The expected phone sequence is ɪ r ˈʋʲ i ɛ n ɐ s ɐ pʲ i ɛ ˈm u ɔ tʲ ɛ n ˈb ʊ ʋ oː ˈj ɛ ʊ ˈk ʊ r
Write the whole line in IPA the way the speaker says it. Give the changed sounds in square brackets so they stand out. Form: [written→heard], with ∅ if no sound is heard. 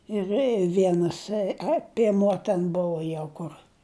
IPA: ɪ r ˈʋʲ i ɛ n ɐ s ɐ pʲ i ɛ ˈm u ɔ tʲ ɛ n ˈb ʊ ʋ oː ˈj ɛ ʊ ˈk ʊ r